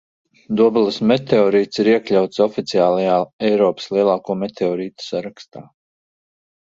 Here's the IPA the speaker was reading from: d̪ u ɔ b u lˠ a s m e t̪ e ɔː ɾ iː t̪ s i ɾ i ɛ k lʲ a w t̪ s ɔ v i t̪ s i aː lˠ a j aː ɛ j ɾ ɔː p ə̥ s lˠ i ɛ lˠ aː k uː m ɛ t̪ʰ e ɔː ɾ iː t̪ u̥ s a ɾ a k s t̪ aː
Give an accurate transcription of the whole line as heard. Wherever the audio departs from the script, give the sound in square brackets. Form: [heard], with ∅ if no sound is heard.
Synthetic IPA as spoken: d̪ u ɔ b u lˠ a s m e t̪ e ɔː ɾ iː t̪ s i ɾ i ɛ k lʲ a w t̪ s ɔ [f] i t̪ s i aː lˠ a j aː ɛ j ɾ ɔː p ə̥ s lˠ i ɛ lˠ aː k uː m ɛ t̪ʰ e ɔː ɾ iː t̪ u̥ s a ɾ a k s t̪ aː